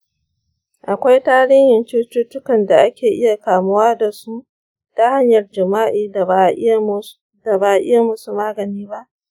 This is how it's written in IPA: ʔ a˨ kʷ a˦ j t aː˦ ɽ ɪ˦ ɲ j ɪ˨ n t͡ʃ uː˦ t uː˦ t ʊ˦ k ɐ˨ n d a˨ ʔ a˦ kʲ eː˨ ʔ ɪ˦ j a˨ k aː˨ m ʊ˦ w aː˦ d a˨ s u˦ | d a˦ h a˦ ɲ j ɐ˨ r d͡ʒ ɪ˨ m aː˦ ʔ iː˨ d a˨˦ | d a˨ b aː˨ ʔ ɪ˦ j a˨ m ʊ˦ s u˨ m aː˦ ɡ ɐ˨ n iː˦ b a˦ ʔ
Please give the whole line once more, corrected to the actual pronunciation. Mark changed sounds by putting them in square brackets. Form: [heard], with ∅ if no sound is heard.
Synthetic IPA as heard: ʔ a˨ kʷ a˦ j t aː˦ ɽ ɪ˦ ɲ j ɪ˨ n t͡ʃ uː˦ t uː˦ t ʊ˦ k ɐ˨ n d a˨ ʔ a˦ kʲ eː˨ ʔ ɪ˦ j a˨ k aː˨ m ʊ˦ w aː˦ d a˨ s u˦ | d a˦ h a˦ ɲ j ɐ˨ r d͡ʒ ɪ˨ m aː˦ ʔ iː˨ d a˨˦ | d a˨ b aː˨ ʔ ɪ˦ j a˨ m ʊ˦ s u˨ m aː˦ ɡ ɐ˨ n iː˦ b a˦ ʔ